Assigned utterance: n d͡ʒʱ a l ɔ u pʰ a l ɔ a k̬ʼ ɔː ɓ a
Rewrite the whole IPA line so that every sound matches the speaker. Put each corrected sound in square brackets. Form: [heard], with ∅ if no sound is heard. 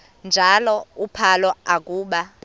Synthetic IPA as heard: n d͡ʒʱ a l ɔ u pʰ a l ɔ a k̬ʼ [uː] ɓ a